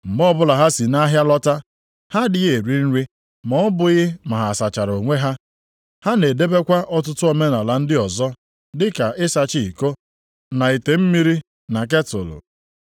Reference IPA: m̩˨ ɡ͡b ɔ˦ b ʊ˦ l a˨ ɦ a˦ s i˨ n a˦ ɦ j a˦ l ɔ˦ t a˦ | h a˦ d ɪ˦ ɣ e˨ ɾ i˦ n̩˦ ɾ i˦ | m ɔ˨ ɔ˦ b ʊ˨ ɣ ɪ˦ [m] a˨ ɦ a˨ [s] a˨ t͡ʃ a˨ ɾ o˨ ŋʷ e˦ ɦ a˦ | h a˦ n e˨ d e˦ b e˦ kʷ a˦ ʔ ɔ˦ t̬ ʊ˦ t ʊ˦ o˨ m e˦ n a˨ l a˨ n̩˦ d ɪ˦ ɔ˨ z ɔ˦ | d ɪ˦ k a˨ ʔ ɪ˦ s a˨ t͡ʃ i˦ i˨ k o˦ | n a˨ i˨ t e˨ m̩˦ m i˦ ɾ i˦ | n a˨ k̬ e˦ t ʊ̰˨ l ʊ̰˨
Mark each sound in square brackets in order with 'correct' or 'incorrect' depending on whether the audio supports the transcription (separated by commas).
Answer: correct, correct